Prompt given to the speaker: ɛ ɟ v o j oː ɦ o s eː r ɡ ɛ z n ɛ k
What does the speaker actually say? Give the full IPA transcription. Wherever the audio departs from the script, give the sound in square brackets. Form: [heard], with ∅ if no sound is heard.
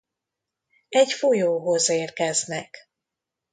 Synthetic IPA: ɛ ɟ [f] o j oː ɦ o [z] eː r [k] ɛ z n ɛ k